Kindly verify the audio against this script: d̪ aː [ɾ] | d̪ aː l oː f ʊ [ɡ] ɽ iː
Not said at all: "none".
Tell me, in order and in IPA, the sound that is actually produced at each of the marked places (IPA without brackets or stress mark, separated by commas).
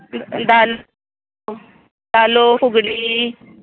l, ɡ